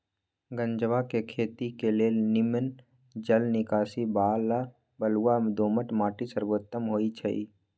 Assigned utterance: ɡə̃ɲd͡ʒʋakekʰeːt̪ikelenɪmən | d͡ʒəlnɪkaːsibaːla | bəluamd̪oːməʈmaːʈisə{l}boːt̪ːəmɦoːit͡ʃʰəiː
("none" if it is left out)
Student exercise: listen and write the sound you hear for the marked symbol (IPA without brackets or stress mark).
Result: ɾ